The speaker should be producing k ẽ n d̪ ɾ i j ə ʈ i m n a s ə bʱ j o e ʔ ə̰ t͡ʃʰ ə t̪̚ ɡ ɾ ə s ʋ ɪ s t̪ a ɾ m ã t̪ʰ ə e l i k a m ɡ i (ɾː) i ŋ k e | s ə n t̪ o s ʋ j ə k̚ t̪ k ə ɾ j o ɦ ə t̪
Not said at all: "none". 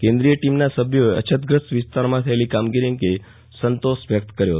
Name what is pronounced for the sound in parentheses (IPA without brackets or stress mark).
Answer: ɾ